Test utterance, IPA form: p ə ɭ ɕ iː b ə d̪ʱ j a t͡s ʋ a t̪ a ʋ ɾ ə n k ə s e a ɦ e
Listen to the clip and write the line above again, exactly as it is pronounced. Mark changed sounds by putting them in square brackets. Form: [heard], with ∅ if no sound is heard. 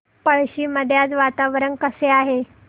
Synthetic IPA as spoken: p ə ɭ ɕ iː [m] ə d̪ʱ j a t͡s ʋ a t̪ a ʋ ɾ ə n k ə s e a ɦ e